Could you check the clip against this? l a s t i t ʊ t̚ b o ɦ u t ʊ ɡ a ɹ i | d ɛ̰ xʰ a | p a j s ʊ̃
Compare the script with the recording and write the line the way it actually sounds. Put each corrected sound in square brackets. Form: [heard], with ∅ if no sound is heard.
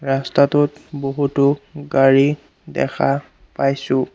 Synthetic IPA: [ɹ] a s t [a] t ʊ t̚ b o ɦ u t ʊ ɡ a ɹ i | d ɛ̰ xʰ a | p a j s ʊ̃